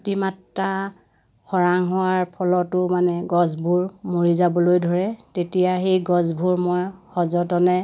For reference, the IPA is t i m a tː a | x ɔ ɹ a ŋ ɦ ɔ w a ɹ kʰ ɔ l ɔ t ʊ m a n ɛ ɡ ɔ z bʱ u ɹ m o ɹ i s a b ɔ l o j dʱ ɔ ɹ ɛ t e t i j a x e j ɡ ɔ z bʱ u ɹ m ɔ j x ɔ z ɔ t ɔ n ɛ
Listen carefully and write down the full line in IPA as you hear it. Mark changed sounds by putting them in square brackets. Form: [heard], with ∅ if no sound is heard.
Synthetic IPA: t i m a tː a | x ɔ ɹ a ŋ ɦ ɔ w a ɹ [pʰ] ɔ l ɔ t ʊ m a n ɛ ɡ ɔ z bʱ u ɹ m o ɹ i [z] a b ɔ l o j dʱ ɔ ɹ ɛ t e t i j a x e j ɡ ɔ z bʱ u ɹ m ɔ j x ɔ z ɔ t ɔ n ɛ